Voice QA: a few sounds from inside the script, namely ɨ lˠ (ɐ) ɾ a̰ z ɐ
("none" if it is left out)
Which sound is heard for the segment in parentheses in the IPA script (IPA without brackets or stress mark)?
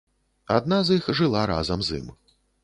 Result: a